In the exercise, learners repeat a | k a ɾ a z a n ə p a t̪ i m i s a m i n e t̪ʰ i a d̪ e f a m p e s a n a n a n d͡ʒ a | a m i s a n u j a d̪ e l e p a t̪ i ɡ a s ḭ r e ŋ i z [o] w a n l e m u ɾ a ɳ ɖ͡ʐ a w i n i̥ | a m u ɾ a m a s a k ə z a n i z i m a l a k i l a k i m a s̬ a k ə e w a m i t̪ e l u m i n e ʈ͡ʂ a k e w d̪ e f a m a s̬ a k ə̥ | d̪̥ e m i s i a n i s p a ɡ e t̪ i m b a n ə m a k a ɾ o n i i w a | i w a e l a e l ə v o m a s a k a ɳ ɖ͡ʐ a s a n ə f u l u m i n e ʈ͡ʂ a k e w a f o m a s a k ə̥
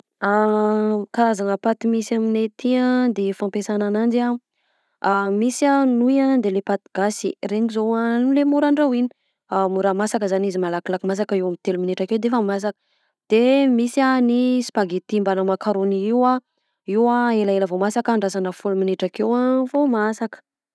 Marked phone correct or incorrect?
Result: correct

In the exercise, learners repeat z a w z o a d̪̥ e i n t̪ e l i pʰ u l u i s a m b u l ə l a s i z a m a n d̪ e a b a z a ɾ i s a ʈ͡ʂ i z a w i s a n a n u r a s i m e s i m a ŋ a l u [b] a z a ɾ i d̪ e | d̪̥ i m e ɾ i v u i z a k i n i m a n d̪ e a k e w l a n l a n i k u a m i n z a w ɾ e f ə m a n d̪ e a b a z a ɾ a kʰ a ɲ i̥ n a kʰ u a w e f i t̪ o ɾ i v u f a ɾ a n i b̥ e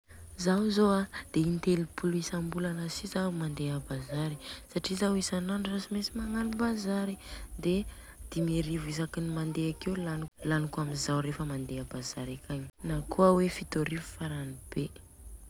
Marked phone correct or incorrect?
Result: correct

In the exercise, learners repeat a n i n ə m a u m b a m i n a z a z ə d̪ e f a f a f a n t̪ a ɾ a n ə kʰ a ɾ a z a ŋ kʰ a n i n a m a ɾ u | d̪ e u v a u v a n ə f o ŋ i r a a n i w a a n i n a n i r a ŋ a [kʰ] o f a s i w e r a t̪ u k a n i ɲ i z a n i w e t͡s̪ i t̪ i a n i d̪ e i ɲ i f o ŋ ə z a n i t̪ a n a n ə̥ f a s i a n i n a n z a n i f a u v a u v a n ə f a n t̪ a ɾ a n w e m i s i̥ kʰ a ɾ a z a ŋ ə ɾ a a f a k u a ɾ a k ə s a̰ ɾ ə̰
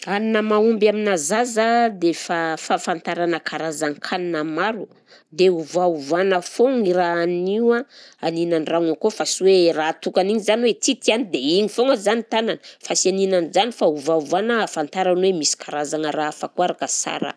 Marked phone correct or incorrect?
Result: incorrect: k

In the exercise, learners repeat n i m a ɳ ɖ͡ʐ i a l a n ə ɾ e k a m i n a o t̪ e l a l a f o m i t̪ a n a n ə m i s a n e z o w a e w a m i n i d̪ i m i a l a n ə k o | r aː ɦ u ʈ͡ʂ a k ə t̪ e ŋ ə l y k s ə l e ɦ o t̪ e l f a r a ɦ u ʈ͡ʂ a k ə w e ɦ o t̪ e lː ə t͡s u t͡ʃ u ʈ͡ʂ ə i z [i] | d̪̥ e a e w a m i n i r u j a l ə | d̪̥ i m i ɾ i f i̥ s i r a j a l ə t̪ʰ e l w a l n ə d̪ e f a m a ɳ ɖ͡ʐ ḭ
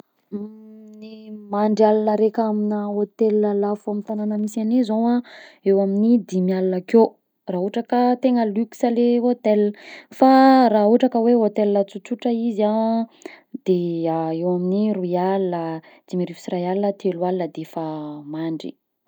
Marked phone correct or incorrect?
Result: incorrect: a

